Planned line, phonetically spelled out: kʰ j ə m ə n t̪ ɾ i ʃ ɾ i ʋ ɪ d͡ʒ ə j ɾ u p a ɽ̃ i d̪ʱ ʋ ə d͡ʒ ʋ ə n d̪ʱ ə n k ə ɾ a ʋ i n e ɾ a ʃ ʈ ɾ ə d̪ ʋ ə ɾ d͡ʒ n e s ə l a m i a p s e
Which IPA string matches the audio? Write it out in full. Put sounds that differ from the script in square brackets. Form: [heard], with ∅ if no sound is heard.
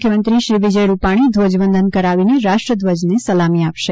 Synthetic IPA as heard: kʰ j ə m ə n t̪ ɾ i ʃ ɾ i ʋ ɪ d͡ʒ ə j ɾ u p a ɽ̃ i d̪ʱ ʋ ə d͡ʒ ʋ ə n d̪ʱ ə n k ə ɾ a ʋ i n e ɾ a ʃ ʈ ɾ ə d̪ ʋ ə [∅] d͡ʒ n e s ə l a m i a p [ʃ] e